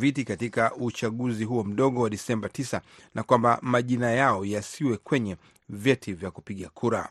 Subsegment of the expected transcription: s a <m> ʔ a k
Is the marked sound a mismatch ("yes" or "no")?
yes